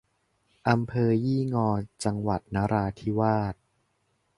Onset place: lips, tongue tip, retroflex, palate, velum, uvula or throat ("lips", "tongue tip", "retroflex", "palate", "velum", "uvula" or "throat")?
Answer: throat